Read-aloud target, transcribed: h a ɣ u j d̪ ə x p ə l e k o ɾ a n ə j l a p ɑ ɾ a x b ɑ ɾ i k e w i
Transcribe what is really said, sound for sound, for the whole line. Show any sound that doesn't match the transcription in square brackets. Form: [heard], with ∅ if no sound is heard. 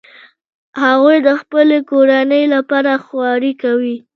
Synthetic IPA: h a ɣ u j d̪ ə x p ə l e k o ɾ a n ə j l a p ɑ ɾ a x [w] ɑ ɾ i k [a] w i